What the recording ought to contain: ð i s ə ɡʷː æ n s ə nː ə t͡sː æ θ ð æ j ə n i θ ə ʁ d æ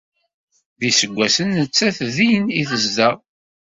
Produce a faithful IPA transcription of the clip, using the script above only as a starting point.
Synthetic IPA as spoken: ð i s ə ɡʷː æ s ə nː ə t͡sː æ θ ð i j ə n i θ ə z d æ